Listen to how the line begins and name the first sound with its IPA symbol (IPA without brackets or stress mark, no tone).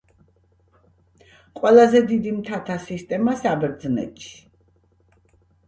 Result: qʼ